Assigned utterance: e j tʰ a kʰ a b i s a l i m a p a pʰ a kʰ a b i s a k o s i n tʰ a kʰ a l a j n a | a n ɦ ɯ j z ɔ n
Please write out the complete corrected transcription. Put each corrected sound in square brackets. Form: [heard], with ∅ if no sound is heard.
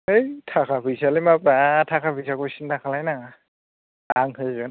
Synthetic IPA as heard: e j tʰ a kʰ a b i s a l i m a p a [tʰ] a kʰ a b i s a k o s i n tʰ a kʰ a l a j n a | a [ŋ] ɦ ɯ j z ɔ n

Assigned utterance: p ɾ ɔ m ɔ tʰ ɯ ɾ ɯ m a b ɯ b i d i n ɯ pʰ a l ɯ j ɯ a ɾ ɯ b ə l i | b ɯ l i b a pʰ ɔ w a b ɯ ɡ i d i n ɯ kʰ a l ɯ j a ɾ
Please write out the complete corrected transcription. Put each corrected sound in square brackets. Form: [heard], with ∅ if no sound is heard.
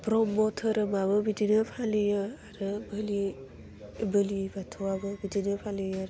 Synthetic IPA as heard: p ɾ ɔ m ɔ tʰ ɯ ɾ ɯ m a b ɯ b i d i n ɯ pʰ a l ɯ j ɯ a ɾ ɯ b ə l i | b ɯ l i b a [tʰ] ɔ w a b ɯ [b] i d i n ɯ [pʰ] a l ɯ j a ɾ

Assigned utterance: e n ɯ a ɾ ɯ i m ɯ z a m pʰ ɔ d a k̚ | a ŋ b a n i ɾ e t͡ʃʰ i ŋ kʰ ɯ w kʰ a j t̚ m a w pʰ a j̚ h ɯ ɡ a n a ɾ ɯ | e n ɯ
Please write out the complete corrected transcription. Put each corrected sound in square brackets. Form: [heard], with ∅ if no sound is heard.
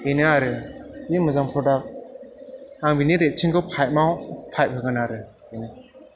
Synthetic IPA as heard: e n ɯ a ɾ ɯ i m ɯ z a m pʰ ɔ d a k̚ | a ŋ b [i] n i ɾ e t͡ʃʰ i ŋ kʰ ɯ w [pʰ] a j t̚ m a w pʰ a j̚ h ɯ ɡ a n a ɾ ɯ | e n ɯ

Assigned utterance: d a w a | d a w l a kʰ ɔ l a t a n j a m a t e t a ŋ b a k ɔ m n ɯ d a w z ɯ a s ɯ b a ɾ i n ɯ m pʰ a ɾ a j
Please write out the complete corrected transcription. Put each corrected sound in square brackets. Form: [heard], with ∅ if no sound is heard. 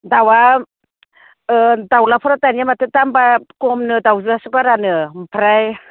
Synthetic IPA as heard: d a w a | d a w l a [pʰ] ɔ [ɾ] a t a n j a m a t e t a [m] b a k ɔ m n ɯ d a w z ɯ a s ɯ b a ɾ [a] n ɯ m pʰ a ɾ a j

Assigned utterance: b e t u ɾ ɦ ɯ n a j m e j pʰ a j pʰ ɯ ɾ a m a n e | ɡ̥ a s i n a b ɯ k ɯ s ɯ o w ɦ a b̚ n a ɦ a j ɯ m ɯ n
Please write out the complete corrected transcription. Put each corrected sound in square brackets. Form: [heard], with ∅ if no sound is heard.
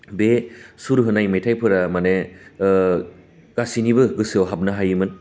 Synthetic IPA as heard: b e [s] u ɾ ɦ ɯ n a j m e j [tʰ] a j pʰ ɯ ɾ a m a n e | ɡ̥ a s i n [i] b ɯ [ɡ] ɯ s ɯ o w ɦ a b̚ n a ɦ a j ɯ m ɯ n

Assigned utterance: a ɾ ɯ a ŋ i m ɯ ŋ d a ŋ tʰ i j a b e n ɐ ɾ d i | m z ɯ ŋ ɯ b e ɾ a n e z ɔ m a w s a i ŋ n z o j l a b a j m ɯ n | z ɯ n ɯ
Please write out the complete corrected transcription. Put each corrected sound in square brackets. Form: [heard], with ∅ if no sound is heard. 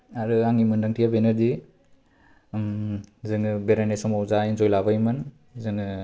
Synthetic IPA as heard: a ɾ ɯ a ŋ i m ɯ [n] d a ŋ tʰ i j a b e n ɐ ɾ d i | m z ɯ ŋ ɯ b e ɾ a n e [s] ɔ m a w [z] a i [∅] n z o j l a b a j m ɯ n | z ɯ [ŋ] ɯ

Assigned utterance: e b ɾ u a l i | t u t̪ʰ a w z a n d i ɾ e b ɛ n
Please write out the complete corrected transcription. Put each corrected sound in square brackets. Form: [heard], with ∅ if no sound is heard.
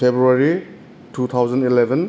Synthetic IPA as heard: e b ɾ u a [ɾ] i | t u t̪ʰ a w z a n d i [l] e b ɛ n

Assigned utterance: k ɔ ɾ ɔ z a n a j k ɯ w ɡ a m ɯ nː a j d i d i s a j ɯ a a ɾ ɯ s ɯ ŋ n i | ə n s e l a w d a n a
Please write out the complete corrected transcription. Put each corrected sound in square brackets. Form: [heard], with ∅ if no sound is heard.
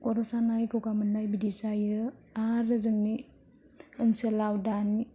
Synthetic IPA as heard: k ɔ ɾ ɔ [s] a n a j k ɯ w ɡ a m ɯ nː a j [b] i d i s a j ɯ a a ɾ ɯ [z] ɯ ŋ n i | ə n s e l a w d a n [i]

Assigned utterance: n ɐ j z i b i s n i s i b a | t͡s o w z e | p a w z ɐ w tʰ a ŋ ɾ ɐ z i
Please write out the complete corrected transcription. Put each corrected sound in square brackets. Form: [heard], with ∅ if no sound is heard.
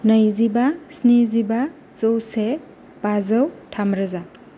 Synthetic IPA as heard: n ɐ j z i b [a] s n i [z] i b a | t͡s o w [s] e | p a [∅] z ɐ w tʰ a [m] ɾ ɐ z [a]

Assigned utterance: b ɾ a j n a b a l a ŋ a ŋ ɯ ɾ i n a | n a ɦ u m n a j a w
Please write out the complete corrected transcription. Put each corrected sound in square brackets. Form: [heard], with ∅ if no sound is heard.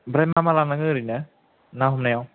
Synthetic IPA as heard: b ɾ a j [m] a [m] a l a [n] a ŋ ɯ ɾ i n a | n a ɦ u m n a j a w

